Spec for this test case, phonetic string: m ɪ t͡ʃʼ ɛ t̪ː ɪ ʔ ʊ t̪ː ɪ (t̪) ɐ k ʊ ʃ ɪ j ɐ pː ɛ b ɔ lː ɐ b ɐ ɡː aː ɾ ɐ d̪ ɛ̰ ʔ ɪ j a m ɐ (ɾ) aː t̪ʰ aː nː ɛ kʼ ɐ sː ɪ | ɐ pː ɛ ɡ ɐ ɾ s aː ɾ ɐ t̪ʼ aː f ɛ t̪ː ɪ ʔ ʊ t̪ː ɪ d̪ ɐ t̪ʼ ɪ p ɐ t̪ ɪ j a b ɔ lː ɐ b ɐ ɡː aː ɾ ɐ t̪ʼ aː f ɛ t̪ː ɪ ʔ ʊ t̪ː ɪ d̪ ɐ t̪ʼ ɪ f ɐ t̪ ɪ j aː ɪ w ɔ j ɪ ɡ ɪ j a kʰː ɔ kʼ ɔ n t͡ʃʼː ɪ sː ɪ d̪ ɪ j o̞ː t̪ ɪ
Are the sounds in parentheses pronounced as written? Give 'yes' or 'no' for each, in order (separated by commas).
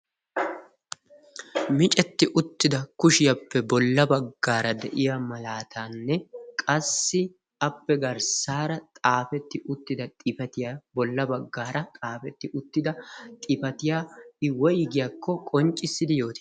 no, no